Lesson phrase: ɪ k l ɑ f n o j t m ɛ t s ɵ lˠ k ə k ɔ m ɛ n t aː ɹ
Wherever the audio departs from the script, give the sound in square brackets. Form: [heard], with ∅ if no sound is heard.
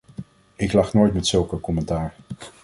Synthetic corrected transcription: ɪ k l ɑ [χ] n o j t m ɛ t s ɵ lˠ k ə k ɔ m ɛ n t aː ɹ